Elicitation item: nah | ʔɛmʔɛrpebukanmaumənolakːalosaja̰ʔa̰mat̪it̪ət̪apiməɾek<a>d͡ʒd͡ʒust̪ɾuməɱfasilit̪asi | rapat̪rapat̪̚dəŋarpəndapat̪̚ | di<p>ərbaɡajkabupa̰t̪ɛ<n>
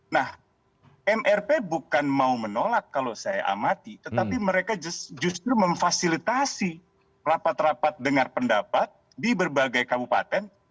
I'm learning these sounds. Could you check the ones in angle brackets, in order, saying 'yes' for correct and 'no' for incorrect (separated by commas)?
yes, no, yes